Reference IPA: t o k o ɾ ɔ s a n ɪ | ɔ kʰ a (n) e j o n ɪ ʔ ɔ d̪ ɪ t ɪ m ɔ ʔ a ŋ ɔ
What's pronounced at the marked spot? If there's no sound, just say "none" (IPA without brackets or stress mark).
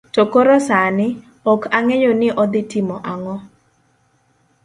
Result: ŋ